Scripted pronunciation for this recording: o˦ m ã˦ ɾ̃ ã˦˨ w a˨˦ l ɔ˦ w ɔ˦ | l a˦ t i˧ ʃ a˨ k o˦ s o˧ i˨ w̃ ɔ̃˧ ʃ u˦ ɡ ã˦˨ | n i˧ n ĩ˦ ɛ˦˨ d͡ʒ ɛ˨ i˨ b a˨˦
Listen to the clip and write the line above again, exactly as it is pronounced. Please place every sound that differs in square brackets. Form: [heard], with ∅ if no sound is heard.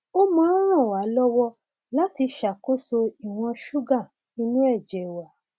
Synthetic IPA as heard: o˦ m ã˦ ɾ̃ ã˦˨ w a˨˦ l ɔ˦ w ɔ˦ | l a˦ t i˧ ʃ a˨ k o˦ s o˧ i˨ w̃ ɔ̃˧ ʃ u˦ ɡ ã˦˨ | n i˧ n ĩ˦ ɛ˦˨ d͡ʒ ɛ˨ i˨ [w] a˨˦